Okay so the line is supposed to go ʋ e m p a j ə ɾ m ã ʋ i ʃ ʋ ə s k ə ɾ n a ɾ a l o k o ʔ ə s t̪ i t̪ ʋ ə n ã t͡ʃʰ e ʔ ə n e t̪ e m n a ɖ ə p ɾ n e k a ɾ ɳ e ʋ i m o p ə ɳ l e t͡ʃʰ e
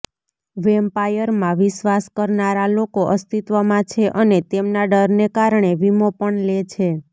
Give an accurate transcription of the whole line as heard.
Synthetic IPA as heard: ʋ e m p a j ə ɾ m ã ʋ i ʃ ʋ a s k ə ɾ n a ɾ a l o k o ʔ ə s t̪ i t̪ ʋ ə m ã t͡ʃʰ e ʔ ə n e t̪ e m n a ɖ ə ɾ n e k a ɾ ɳ e ʋ i m o p ə ɳ l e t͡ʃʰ e